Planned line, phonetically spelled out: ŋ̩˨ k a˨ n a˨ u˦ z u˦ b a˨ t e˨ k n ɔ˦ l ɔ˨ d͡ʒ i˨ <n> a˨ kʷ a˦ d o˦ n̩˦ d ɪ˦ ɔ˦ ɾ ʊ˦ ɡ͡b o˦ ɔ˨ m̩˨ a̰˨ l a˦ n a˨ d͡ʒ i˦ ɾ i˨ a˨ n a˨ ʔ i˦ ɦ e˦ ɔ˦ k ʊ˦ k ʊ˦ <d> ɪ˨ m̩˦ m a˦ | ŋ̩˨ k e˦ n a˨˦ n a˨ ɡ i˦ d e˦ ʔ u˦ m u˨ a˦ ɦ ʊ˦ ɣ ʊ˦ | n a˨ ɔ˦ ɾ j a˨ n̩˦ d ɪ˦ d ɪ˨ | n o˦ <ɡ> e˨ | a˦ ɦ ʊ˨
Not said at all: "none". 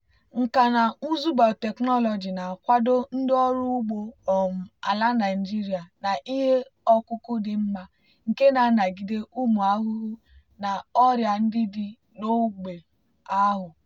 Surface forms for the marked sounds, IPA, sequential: n, d, ɡ͡b

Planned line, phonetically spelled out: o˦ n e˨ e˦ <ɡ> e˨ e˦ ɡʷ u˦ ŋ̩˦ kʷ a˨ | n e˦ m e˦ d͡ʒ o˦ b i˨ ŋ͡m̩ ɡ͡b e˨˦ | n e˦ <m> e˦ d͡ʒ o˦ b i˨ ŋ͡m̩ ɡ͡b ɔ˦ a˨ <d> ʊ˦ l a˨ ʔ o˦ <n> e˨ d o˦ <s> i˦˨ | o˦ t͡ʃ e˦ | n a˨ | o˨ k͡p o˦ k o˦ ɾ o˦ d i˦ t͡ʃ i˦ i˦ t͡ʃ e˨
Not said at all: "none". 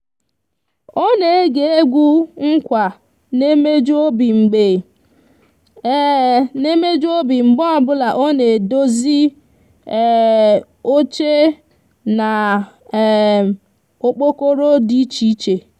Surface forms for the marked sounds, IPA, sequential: ɡ, m, b, n, z

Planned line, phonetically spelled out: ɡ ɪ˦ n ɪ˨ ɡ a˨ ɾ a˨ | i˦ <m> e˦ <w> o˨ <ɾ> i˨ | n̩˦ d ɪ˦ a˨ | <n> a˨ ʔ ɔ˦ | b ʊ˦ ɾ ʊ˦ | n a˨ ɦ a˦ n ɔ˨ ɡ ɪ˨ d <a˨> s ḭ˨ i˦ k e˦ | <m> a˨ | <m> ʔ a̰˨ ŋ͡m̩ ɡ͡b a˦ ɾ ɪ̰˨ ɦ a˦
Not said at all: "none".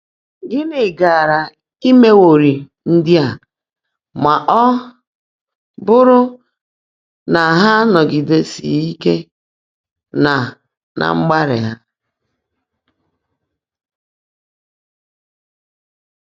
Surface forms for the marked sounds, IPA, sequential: m, w, ɾ, m, e˨, n, n

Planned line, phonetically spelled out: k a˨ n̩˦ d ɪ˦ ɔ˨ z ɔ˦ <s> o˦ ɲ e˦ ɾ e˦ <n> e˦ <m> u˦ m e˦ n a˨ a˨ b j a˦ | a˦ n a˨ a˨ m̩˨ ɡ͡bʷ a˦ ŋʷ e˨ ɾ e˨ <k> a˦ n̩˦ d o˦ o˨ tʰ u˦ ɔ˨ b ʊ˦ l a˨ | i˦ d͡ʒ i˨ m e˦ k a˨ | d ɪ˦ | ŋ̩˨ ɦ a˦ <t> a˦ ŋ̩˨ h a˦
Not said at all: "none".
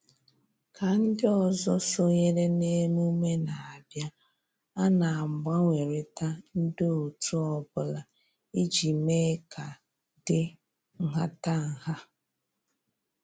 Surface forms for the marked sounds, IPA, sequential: s, n, m, t, t

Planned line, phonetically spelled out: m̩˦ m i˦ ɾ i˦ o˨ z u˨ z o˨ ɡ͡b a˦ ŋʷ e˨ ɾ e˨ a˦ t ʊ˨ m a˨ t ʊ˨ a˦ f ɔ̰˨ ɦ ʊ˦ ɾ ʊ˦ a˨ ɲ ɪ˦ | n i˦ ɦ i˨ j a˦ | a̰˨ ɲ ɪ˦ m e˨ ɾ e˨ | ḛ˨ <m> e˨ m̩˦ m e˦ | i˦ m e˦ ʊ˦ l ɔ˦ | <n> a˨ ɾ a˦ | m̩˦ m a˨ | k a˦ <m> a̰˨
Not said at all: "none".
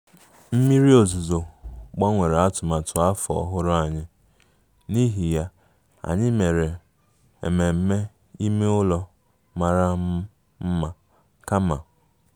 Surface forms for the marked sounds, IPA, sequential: m, m, m

